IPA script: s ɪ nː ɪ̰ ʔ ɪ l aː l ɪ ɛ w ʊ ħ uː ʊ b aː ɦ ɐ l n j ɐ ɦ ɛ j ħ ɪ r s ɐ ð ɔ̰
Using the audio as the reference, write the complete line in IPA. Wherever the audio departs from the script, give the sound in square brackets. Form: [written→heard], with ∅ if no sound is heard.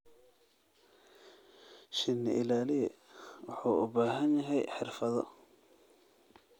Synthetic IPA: [s→ʃ] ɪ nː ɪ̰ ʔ ɪ l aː l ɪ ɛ w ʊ ħ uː ʊ b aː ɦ ɐ [l→∅] n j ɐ ɦ ɛ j ħ ɪ r [s→f] ɐ ð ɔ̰